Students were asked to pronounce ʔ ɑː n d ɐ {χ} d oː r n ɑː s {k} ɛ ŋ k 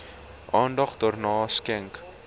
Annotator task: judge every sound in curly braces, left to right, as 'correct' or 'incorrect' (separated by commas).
correct, correct